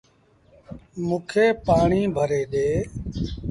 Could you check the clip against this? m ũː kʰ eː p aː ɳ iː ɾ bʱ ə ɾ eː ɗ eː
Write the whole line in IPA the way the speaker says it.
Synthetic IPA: m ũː kʰ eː p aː ɳ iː bʱ ə ɾ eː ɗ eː